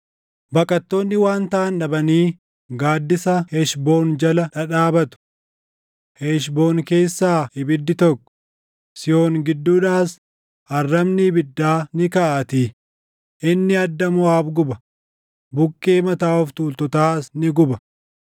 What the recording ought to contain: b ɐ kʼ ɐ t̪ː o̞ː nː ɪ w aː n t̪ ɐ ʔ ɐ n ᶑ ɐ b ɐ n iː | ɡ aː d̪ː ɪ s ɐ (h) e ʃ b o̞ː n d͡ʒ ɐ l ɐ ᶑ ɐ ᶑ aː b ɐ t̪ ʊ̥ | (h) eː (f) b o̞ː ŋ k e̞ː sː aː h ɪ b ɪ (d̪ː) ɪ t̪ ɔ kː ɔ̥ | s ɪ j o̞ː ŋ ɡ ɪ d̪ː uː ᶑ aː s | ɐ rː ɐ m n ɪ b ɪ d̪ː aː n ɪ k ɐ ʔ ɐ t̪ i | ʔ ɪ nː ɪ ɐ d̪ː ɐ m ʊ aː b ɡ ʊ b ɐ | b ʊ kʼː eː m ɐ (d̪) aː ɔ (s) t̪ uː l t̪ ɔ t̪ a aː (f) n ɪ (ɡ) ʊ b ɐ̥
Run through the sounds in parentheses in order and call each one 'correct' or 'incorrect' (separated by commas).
correct, correct, incorrect, correct, incorrect, incorrect, incorrect, correct